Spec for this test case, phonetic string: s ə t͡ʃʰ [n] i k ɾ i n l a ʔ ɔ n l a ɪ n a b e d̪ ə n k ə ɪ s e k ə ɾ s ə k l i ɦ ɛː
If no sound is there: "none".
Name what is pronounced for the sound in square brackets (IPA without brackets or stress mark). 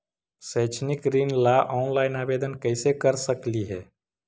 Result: n